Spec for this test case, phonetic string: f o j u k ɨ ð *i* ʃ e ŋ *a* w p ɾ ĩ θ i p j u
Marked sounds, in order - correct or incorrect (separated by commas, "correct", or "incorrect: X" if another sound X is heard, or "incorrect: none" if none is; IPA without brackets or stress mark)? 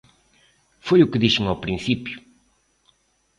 correct, correct